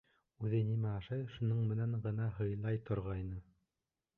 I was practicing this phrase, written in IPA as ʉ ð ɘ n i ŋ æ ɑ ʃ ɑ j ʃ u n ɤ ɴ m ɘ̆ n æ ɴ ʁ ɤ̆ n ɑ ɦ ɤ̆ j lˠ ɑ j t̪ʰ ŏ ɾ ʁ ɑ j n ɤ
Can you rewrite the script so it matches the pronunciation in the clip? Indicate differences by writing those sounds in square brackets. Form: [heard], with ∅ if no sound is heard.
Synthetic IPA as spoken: ʉ ð ɘ n i [m] æ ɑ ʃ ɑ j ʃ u n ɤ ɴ m ɘ̆ n æ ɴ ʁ ɤ̆ n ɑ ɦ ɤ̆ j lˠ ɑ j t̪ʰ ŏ ɾ ʁ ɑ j n ɤ